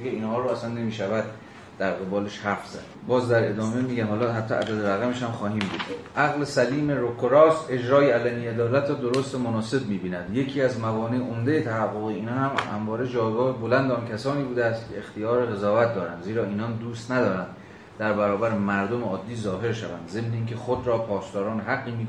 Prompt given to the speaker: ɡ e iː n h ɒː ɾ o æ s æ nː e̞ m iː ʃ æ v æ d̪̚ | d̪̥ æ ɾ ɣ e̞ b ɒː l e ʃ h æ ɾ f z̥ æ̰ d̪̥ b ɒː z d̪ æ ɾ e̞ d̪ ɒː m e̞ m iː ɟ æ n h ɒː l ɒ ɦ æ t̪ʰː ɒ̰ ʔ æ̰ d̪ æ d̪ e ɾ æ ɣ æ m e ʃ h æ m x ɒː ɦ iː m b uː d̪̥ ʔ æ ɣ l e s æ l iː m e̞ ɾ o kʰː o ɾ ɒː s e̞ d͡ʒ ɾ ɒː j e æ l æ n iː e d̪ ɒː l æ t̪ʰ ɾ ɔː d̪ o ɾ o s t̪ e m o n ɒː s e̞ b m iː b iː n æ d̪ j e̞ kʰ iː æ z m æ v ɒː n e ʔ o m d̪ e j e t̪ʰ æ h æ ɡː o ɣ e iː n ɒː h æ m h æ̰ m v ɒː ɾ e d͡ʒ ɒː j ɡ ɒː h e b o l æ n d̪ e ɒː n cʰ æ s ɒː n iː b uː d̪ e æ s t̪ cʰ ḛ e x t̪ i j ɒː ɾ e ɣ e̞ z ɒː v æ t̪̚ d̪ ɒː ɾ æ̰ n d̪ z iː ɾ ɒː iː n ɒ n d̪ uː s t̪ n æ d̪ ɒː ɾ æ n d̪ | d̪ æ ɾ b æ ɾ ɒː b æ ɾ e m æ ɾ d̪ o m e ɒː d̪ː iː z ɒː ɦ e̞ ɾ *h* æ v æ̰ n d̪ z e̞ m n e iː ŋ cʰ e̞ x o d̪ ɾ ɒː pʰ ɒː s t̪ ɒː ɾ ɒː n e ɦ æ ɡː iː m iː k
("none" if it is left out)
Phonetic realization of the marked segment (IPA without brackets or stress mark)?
ʃ